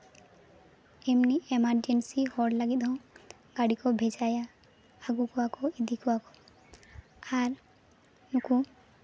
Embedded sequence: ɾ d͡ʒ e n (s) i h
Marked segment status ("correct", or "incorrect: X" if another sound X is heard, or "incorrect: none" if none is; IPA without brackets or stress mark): correct